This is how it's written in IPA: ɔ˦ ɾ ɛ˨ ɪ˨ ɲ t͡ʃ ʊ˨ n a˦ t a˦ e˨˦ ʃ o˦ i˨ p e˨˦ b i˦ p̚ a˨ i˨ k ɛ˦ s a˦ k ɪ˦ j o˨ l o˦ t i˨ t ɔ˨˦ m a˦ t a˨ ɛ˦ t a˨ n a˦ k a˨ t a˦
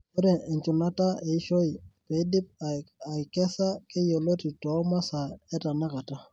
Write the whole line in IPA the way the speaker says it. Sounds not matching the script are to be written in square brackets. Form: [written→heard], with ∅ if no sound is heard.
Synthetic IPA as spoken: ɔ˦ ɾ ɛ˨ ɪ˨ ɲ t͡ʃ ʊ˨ n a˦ t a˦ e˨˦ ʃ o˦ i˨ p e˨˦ [b→d] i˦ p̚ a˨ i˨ k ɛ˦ s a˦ k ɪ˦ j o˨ l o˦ t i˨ t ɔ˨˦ m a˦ [t→s] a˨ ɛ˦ t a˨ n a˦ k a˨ t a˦